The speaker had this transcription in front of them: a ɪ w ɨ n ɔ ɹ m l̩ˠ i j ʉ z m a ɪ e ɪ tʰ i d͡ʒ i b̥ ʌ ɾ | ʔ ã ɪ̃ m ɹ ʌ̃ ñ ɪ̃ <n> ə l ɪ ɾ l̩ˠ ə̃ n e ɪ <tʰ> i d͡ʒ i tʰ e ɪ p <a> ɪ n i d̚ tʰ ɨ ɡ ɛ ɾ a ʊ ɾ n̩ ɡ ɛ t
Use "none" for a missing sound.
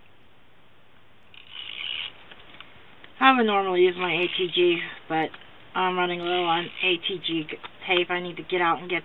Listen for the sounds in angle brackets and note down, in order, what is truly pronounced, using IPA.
ŋ, tʰ, a

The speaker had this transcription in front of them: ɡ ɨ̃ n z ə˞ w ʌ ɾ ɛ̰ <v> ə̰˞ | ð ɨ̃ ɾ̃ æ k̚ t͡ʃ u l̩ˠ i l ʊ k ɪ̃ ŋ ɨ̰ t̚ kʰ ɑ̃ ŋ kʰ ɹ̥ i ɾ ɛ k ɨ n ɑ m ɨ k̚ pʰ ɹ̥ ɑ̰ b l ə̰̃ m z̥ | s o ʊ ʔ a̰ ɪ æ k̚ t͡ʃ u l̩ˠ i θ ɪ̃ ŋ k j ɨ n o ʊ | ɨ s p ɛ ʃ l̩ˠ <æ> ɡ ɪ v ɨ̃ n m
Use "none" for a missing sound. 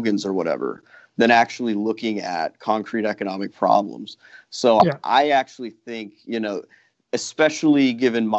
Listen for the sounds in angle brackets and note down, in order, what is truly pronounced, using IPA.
v, i

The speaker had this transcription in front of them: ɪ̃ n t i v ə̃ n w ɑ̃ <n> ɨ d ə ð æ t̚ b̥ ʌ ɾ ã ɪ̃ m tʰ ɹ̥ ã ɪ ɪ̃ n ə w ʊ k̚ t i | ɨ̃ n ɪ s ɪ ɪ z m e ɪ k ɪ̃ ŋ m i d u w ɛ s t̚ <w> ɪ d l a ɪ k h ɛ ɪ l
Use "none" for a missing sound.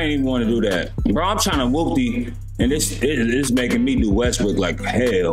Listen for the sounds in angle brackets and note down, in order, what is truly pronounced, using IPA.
n, w

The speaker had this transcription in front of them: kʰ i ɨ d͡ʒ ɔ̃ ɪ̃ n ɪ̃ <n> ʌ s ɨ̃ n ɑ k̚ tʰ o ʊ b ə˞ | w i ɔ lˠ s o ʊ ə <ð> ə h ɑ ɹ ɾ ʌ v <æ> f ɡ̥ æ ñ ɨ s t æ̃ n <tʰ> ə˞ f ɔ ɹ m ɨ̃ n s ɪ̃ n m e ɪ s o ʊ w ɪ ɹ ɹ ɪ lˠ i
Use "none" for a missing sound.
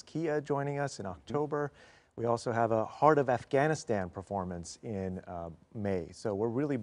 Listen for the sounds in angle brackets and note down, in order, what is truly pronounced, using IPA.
ŋ, v, æ, pʰ

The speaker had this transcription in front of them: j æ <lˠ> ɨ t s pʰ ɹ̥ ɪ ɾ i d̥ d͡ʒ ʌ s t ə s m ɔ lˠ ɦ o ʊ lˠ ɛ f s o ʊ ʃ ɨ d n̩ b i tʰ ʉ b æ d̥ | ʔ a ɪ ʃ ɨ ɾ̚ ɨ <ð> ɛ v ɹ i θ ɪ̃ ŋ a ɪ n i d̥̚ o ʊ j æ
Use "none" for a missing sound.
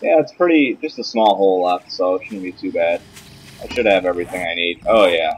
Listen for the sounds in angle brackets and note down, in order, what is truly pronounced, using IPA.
none, v

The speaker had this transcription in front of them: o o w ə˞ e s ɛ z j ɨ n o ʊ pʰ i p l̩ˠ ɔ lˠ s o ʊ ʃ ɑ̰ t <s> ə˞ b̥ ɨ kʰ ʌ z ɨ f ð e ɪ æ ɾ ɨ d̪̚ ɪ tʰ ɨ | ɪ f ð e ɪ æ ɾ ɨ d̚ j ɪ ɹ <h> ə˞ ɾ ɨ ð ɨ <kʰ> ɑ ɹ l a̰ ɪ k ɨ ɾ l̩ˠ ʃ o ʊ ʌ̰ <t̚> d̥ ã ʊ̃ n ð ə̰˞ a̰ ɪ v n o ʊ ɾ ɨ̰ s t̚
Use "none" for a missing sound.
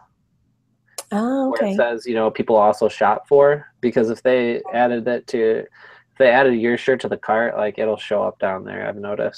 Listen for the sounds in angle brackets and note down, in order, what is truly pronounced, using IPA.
f, ʃ, kʰ, p̚

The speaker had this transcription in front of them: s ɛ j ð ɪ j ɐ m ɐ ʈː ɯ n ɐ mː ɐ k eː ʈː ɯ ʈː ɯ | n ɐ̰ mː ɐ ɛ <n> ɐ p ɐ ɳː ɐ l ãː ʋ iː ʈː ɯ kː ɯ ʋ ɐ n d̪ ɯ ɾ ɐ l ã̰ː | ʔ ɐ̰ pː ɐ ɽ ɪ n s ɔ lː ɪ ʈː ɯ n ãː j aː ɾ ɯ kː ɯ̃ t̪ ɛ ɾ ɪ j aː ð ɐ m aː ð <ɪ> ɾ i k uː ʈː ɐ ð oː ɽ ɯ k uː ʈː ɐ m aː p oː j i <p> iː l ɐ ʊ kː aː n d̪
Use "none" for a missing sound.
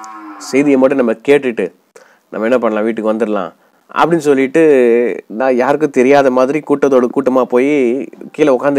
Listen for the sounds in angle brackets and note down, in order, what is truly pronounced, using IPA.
nː, ɪ, k

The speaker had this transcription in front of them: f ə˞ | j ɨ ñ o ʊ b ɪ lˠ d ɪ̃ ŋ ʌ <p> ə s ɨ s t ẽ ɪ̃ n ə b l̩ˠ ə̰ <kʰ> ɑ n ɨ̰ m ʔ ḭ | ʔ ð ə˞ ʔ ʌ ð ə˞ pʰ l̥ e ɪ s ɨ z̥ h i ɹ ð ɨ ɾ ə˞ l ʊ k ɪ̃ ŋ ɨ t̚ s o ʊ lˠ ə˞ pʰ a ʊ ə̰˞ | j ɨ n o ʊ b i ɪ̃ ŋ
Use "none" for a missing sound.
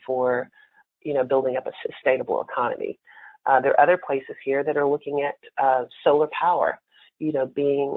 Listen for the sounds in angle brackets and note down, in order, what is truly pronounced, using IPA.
p, kʰ

